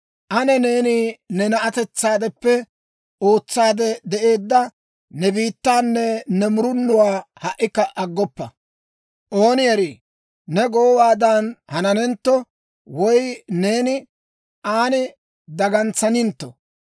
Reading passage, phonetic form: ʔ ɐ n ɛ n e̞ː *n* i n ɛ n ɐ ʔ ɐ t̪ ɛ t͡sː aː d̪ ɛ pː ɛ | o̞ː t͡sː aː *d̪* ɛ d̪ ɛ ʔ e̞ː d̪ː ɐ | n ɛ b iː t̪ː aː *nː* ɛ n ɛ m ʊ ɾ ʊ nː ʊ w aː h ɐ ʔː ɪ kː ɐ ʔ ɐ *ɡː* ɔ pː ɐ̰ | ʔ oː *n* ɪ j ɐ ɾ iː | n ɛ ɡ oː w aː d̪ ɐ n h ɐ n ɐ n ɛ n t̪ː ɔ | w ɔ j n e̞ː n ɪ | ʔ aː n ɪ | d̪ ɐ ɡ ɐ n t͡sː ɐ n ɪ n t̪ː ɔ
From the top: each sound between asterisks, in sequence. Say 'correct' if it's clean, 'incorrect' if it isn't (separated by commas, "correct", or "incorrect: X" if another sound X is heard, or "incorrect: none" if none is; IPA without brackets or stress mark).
correct, correct, correct, correct, correct